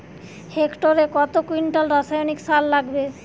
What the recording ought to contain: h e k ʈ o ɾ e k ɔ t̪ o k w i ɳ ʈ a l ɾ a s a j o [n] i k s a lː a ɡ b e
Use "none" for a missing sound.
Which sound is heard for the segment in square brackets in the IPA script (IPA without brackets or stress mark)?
n